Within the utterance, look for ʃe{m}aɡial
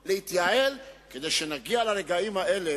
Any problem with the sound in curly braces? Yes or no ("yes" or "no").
yes